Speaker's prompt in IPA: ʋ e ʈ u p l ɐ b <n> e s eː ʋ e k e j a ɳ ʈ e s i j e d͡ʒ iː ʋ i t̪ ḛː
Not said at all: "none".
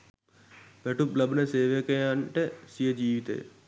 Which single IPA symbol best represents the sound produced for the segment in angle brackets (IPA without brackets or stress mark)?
n